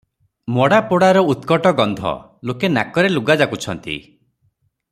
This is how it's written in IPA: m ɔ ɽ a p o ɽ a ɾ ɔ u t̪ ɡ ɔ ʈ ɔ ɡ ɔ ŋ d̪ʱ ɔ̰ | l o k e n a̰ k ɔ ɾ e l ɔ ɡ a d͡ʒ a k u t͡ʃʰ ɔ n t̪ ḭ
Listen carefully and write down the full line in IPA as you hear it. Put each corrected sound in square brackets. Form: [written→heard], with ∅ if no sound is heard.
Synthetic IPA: m ɔ ɽ a p o ɽ a ɾ ɔ u t̪ [ɡ→k] ɔ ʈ ɔ ɡ ɔ [ŋ→n] d̪ʱ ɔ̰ | l o k e n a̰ k ɔ ɾ e l [ɔ→u] ɡ a d͡ʒ a k u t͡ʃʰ ɔ n t̪ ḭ